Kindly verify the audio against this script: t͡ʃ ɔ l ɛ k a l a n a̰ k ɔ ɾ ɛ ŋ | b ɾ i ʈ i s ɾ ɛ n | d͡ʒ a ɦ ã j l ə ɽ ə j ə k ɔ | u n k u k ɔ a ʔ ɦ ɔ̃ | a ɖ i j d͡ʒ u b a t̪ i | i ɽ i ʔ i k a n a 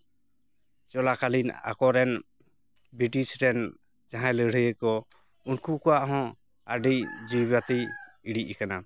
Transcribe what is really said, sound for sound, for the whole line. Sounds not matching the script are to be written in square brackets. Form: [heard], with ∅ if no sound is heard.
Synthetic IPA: t͡ʃ ɔ l [a] k a l [i] n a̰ k ɔ ɾ ɛ [n] | b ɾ i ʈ i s ɾ ɛ n | d͡ʒ a ɦ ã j l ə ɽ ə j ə k ɔ | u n k u k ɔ a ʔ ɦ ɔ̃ | a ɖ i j d͡ʒ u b a t̪ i | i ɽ i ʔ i k a n a